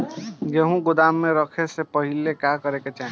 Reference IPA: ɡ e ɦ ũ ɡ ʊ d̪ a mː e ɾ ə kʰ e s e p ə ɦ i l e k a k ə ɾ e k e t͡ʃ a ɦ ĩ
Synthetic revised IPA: ɡ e ɦ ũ ɡ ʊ d̪ a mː e ɾ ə kʰ e s e p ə ɦ i l e k a k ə ɾ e k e t͡ʃ a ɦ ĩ